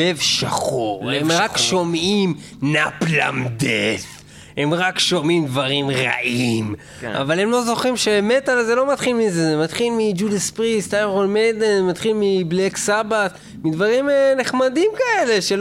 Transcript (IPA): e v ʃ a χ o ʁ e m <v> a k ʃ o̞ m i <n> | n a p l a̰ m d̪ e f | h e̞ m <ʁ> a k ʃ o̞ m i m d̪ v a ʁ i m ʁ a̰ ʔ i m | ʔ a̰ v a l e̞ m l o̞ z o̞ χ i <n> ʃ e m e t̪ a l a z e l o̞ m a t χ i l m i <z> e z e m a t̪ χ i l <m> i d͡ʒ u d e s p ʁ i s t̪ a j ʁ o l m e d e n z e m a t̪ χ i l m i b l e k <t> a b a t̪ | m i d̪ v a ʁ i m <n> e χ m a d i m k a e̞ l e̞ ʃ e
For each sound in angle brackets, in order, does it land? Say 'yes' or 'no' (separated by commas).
no, no, yes, no, yes, yes, no, yes